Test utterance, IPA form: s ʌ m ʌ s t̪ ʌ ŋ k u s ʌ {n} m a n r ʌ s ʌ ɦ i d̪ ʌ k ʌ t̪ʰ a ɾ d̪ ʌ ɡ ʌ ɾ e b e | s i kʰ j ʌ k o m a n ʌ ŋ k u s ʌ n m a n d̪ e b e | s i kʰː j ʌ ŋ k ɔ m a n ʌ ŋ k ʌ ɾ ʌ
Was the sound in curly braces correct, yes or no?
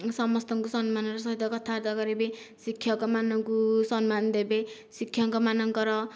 yes